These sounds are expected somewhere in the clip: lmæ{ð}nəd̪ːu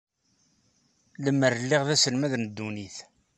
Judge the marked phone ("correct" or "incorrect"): correct